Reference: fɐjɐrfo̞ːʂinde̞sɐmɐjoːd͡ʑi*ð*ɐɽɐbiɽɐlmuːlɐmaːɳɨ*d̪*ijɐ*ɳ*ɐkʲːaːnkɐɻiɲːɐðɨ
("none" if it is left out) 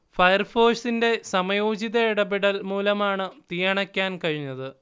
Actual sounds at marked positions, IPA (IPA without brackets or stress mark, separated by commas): ð, t̪, ɳ